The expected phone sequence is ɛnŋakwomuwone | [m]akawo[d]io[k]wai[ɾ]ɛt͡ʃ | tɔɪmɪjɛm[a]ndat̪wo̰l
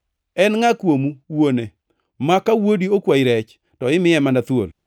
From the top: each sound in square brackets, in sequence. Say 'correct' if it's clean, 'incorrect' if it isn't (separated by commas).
correct, correct, correct, correct, correct